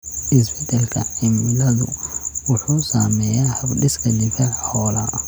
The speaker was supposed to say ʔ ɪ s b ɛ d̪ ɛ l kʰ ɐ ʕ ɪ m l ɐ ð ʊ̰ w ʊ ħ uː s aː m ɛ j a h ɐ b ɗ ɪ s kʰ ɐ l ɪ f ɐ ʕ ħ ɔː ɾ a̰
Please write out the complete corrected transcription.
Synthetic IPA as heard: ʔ ɪ s b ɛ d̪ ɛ l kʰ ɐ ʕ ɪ m l ɐ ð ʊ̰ w ʊ ħ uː s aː m ɛ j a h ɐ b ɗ ɪ s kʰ ɐ l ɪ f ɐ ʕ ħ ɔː l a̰